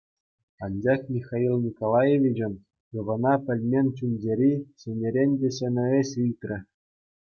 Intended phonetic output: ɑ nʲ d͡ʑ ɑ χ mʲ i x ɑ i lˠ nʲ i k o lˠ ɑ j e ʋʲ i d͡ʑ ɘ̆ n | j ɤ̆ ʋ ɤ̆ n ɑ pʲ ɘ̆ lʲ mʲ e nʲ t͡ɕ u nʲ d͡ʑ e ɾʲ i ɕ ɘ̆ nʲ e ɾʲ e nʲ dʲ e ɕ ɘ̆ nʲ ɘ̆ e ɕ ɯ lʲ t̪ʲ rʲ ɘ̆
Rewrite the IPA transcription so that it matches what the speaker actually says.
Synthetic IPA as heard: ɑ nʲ d͡ʑ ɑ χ mʲ i x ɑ i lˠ nʲ i k o lˠ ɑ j e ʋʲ i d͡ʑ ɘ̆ n | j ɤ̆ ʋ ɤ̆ n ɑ pʲ ɘ̆ lʲ mʲ e nʲ t͡ɕ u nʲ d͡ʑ e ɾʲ i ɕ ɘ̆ nʲ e ɾʲ e nʲ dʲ e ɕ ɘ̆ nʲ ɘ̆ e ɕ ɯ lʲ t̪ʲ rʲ ɘ̆

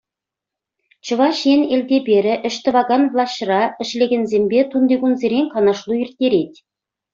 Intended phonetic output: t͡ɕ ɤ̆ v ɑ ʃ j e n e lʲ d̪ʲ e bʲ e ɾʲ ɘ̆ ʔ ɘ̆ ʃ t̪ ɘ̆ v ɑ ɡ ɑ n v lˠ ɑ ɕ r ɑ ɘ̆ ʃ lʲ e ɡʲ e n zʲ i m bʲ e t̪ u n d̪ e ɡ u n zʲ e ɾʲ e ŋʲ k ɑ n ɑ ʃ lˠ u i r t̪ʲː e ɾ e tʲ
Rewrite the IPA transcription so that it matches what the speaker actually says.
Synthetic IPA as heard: t͡ɕ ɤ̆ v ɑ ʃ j e n e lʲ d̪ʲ e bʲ e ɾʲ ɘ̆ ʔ ɘ̆ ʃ t̪ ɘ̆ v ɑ ɡ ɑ n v lˠ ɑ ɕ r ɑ ɘ̆ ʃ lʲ e ɡʲ e n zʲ e m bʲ e t̪ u n d̪ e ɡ u n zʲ e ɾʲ e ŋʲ k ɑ n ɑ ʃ lˠ u i r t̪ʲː e ɾ e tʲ

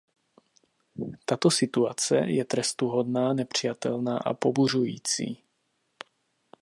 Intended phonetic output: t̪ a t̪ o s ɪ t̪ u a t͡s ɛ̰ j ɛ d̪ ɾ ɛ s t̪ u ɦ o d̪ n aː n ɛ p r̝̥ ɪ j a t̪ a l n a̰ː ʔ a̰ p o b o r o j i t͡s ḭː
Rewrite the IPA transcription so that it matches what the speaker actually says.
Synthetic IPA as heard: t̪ a t̪ o s ɪ t̪ u a t͡s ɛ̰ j ɛ t̪ ɾ ɛ s t̪ u ɦ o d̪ n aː n ɛ p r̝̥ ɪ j a t̪ ɛ l n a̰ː ʔ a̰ p o b u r u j iː t͡s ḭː

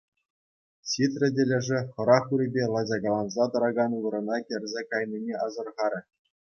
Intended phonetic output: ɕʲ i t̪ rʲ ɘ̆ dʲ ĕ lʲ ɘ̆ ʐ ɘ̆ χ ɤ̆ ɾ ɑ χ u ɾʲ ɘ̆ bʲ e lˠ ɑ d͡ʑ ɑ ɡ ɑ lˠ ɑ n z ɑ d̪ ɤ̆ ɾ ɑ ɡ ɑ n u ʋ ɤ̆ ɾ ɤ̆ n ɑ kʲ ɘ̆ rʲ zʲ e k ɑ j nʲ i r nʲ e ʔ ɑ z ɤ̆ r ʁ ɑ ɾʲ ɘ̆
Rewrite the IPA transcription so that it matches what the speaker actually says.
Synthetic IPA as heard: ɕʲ i t̪ rʲ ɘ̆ dʲ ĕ lʲ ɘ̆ ʐ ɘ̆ χ ɤ̆ ɾ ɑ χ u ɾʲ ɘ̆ bʲ e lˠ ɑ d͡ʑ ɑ ɡ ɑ lˠ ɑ n z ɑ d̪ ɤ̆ ɾ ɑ ɡ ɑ n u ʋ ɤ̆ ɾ ɤ̆ n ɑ kʲ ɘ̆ rʲ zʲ e k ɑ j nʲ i nʲ e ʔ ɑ z ɤ̆ r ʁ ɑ ɾʲ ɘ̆

